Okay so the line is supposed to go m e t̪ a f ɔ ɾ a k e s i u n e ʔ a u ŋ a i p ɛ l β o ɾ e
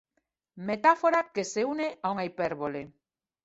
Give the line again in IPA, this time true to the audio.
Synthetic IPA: m e t̪ a f o ɾ a k e s e u n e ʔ a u ŋ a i p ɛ ɾ β o l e